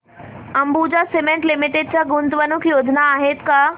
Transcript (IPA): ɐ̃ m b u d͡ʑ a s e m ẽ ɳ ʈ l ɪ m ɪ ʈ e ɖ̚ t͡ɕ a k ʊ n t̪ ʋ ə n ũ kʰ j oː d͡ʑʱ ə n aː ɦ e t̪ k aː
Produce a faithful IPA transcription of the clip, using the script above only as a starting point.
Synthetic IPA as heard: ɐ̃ m b u d͡ʑ a s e m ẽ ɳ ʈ l ɪ m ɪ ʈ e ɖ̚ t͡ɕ a ɡ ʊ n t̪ ʋ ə n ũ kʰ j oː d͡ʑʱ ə n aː ɦ e t̪ k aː